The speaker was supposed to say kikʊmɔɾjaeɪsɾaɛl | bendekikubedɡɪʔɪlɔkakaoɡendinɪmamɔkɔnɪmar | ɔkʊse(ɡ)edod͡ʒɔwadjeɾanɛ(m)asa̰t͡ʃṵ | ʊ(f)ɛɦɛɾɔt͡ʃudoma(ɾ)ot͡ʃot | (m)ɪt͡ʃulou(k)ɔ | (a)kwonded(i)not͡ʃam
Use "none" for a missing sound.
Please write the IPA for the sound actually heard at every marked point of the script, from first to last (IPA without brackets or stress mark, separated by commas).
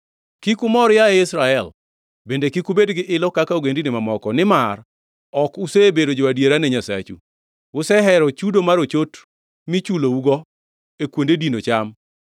b, ɲ, s, ɾ, m, ɡ, e, i